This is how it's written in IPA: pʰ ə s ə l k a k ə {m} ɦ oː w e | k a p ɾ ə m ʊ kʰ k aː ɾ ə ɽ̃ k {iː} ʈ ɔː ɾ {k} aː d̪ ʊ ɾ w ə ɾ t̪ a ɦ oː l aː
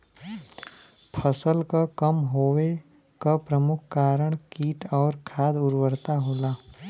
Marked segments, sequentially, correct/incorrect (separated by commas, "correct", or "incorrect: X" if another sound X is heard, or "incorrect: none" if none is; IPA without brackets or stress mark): correct, correct, incorrect: kʰ